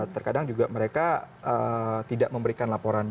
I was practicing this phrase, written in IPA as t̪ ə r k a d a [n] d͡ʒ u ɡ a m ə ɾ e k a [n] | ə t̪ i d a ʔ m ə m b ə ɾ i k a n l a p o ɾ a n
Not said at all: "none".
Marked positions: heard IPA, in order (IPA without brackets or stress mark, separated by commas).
ŋ, none